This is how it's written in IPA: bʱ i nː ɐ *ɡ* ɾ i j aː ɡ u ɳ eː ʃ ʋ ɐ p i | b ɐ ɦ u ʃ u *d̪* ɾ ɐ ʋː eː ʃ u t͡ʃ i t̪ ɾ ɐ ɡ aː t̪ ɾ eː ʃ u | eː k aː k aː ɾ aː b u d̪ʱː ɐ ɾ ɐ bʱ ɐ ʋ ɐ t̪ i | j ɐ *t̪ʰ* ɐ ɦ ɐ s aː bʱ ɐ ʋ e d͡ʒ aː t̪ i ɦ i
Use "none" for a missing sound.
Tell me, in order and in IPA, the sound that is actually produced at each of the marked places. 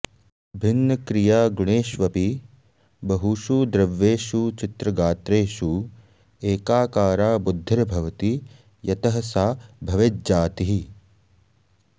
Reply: k, d̪, t̪

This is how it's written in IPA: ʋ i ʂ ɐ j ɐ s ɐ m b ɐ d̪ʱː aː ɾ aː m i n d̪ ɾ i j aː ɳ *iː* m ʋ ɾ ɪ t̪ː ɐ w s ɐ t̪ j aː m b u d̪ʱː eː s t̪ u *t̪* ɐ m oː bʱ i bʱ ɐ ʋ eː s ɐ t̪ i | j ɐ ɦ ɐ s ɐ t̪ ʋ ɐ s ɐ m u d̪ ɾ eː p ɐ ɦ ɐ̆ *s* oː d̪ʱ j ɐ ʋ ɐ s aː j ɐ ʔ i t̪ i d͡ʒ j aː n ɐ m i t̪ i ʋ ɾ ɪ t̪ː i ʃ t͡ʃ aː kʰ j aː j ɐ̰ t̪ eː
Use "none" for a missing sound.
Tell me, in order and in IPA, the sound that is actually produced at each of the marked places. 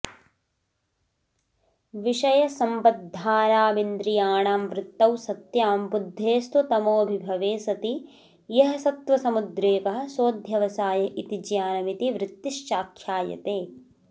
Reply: aː, t̪, s

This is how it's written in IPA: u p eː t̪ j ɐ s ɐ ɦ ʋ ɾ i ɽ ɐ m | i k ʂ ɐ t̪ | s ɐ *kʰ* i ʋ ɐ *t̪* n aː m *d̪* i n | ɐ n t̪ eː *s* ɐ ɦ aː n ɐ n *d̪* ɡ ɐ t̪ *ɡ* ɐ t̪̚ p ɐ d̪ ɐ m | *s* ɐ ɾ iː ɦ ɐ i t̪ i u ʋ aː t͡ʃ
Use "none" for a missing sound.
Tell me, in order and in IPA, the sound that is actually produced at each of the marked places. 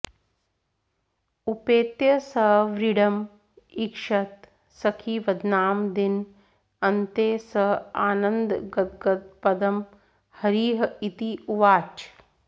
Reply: kʰ, d̪, d̪, s, d̪, ɡ, h

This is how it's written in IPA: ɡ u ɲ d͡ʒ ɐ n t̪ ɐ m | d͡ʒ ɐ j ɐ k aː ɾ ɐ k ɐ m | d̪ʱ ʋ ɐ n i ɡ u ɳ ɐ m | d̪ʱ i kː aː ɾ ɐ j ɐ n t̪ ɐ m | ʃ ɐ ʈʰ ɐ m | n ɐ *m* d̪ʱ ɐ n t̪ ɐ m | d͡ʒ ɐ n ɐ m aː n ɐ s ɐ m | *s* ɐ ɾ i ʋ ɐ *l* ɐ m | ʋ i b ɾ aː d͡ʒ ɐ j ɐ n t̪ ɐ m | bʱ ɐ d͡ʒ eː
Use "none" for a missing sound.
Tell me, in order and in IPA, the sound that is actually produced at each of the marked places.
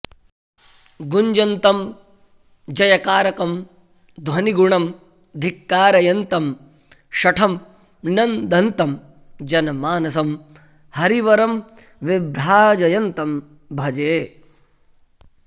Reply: n, h, ɾ

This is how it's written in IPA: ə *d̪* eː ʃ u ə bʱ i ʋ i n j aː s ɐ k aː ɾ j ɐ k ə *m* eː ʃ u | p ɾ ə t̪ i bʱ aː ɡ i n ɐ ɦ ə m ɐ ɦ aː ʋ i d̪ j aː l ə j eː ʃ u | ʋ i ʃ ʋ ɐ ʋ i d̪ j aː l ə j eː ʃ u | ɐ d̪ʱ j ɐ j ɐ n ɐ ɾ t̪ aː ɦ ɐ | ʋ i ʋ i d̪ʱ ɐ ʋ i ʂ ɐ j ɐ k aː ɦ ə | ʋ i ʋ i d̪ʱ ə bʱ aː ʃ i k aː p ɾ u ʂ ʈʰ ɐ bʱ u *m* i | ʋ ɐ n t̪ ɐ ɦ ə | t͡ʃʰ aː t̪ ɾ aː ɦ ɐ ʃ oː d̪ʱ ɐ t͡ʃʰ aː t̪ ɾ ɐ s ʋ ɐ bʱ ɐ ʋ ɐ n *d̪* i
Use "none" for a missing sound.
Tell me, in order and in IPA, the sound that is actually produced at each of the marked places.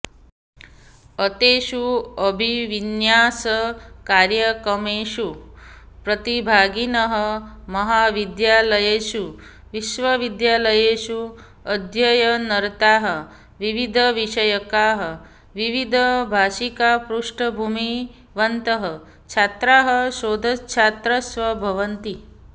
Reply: t̪, m, m, t̪

